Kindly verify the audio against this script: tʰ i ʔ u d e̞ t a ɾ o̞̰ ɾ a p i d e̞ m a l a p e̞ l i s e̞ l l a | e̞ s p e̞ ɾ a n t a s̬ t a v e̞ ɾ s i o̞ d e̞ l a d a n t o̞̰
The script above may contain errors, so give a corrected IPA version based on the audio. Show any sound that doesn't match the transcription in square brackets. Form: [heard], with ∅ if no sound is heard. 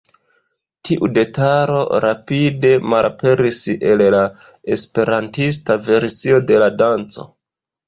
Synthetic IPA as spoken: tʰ i ʔ u d e̞ t a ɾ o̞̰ ɾ a p i d e̞ m a l a p e̞ [ɾ] i s e̞ l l a | e̞ s p e̞ ɾ a n t [i] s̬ t a v e̞ ɾ s i o̞ d e̞ l a d a n [t͡s] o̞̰